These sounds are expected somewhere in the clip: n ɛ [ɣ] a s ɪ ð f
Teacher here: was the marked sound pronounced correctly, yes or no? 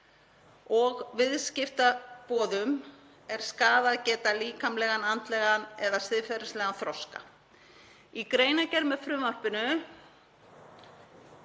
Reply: no